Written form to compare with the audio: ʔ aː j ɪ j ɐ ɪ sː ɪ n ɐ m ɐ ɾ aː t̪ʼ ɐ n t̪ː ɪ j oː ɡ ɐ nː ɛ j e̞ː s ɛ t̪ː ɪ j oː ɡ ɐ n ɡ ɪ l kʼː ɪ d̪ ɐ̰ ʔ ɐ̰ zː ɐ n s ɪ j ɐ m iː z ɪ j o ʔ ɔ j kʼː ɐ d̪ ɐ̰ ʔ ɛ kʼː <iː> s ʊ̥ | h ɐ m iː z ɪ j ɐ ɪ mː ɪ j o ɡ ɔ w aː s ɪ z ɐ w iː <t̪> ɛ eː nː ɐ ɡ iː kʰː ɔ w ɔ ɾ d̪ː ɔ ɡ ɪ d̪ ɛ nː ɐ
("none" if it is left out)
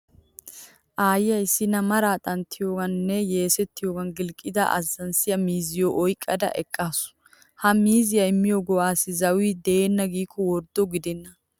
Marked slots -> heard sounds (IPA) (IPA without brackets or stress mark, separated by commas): aː, d̪